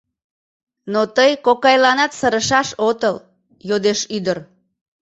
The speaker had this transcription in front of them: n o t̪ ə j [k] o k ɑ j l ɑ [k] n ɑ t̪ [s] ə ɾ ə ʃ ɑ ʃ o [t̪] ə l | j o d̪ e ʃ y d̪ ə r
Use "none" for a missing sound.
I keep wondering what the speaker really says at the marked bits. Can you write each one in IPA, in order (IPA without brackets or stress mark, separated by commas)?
k, none, s, t̪